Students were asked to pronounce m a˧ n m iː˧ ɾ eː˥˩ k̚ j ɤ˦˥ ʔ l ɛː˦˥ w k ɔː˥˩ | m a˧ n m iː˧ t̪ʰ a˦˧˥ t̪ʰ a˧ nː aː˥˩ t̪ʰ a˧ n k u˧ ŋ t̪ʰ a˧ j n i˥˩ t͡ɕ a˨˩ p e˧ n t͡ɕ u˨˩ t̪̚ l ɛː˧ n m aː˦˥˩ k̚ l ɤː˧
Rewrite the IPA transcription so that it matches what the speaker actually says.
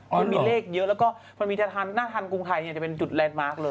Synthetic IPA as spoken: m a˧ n m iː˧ l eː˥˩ k̚ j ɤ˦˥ ʔ l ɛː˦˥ w k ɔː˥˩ | m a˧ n m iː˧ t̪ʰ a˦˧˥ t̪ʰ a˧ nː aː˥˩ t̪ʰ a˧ n k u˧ ŋ t̪ʰ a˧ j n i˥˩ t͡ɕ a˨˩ p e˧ n t͡ɕ u˨˩ t̪̚ l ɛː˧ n m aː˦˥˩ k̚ l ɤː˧

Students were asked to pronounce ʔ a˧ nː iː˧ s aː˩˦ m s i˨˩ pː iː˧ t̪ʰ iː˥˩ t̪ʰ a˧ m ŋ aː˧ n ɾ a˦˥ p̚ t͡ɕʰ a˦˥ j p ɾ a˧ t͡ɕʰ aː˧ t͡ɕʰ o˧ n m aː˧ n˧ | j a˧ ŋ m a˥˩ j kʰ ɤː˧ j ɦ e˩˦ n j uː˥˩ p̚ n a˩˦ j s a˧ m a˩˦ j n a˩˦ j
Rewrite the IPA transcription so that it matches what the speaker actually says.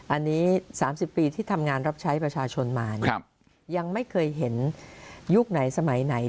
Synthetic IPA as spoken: ʔ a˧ nː iː˦˥ s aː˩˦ m s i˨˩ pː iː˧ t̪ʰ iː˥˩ t̪ʰ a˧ m ŋ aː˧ n ɾ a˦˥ p̚ t͡ɕʰ a˦˥ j p ɾ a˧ t͡ɕʰ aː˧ t͡ɕʰ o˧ n m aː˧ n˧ | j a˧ ŋ m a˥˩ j kʰ ɤː˧ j ɦ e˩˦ n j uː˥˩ k̚ n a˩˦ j s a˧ m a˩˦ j n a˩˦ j

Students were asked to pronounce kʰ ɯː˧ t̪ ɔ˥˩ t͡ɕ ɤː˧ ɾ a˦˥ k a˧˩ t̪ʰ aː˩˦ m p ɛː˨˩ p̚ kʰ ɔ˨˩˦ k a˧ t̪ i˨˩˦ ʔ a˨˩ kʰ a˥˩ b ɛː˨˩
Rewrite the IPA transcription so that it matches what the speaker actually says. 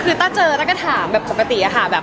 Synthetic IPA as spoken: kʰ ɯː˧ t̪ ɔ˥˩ t͡ɕ ɤː˧ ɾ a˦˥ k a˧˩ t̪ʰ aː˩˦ m b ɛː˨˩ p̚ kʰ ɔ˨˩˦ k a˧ t̪ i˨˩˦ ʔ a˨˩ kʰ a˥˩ b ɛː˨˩

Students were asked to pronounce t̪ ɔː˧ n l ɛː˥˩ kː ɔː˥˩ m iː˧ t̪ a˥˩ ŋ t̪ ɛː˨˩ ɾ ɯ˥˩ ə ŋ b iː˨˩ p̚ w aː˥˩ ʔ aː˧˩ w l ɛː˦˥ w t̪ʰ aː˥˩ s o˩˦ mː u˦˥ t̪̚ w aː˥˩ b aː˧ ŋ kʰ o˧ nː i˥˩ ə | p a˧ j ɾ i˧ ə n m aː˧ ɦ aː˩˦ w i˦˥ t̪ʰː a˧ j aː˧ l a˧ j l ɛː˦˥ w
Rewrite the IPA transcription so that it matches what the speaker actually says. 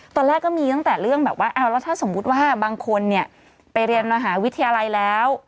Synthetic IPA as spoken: t̪ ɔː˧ n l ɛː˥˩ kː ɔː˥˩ m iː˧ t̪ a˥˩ ŋ t̪ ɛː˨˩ ɾ ɯ˥˩ ə ŋ b ɛː˨˩ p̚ w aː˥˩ ʔ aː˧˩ w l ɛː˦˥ w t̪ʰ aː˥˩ s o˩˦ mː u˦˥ t̪̚ w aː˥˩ b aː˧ ŋ kʰ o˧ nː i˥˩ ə | p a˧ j ɾ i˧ ə n m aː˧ ɦ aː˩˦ w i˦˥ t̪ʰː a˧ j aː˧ l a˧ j l ɛː˦˥ w

